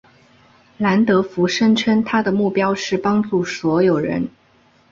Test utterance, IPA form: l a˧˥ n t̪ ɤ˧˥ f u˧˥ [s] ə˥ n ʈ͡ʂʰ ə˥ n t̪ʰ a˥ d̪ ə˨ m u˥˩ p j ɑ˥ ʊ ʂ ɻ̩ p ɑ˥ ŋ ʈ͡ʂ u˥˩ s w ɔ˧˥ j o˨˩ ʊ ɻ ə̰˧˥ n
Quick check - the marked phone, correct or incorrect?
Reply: incorrect